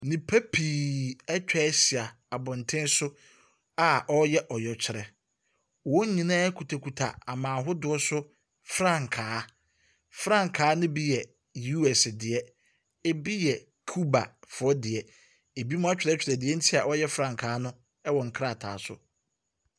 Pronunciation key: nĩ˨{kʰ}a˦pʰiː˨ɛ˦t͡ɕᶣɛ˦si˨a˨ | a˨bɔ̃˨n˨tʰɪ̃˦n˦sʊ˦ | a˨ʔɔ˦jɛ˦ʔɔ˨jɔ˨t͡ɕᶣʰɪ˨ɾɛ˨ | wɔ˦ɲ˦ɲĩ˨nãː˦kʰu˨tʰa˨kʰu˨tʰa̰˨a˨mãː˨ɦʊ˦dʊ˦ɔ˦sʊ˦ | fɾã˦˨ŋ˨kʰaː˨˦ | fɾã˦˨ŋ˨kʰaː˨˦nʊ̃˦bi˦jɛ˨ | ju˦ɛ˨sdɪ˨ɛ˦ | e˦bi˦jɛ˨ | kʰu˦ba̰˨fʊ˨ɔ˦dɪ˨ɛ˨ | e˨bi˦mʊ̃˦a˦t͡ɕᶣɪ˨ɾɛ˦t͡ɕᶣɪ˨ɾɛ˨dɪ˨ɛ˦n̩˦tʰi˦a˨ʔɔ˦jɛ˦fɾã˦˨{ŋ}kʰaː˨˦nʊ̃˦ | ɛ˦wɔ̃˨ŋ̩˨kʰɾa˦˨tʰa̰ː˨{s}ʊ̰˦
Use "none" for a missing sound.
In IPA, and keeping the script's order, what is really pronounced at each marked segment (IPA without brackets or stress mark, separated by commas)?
pʰ, ŋ, s